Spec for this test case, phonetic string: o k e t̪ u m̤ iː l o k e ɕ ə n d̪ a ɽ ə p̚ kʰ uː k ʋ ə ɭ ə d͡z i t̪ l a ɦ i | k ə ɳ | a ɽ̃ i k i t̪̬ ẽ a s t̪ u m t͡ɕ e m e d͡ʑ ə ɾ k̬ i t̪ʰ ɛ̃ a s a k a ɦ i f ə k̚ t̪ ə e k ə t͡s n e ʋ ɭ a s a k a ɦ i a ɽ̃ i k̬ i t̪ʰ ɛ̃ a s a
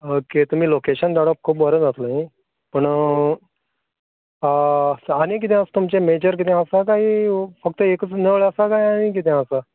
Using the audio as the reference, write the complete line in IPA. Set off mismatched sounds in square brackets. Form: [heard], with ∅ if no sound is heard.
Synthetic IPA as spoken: o k e t̪ u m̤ iː l o k e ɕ ə n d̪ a ɽ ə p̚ kʰ uː [p] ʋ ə [ɾ] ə d͡z [a] t̪ l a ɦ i | [p] ə ɳ | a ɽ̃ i k i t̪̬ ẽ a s t̪ u m t͡ɕ e m e d͡ʑ ə ɾ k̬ i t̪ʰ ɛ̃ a s a k a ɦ i f ə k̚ t̪ ə e k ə t͡s n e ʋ ɭ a s a k a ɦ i a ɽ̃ i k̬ i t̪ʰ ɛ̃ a s a